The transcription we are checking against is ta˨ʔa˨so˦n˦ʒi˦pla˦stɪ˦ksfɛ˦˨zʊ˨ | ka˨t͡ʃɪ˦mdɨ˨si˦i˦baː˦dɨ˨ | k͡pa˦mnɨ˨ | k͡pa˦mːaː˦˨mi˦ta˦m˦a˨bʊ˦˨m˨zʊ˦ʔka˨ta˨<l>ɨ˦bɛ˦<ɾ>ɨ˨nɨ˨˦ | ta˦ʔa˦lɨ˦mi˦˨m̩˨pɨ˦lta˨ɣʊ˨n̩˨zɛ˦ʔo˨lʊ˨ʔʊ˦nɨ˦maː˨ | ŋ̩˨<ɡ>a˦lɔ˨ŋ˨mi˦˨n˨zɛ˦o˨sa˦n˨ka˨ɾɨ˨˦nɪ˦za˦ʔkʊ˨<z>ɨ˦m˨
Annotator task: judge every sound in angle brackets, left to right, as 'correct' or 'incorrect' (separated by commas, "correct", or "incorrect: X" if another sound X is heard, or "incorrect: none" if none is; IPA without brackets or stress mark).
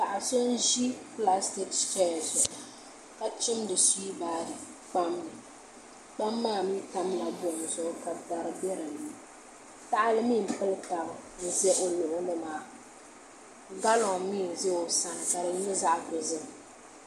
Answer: incorrect: ɾ, correct, correct, correct